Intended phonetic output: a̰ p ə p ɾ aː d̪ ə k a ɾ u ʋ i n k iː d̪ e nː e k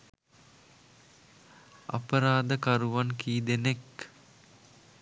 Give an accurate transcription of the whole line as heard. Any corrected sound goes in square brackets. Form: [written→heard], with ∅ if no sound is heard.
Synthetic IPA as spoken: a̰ p ə [p→∅] ɾ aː d̪ ə k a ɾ u ʋ [i→a] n k iː d̪ e [nː→n] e k